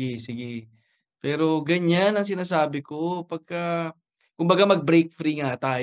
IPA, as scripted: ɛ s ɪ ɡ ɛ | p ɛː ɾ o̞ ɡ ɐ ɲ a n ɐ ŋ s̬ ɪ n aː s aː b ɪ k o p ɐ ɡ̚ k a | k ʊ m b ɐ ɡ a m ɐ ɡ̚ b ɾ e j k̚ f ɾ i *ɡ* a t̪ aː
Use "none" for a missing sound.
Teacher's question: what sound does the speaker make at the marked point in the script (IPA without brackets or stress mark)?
ŋ